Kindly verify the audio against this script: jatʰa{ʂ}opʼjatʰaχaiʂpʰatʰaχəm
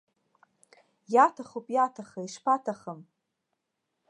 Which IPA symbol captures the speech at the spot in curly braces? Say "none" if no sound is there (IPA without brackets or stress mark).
χ